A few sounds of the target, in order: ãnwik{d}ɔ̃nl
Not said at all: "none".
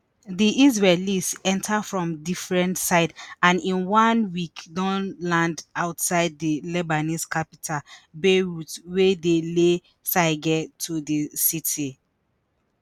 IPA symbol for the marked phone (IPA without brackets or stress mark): d